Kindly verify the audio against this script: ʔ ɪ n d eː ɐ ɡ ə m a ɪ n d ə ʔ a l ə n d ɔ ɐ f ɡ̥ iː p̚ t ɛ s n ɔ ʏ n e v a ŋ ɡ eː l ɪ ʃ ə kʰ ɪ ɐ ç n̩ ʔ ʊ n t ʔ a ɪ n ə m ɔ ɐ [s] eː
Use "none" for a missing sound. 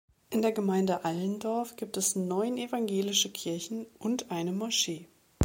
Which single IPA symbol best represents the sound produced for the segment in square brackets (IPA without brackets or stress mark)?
ʃ